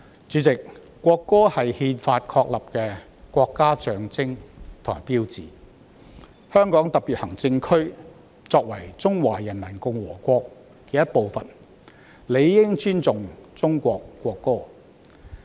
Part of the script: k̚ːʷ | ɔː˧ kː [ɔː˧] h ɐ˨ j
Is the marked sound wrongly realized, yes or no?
yes